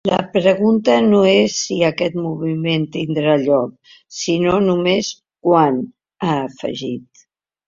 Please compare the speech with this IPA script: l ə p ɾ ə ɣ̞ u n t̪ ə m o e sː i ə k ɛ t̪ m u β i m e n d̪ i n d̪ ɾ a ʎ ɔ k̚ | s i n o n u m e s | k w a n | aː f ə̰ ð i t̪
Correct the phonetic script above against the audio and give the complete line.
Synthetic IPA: l ə p ɾ ə ɣ̞ u n t̪ ə n o e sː i ə k ɛ t̪ m u β i m e n t̪ i n d̪ ɾ a ʎ ɔ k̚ | s i n o n u m e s | k w a n | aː f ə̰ ʒ i t̪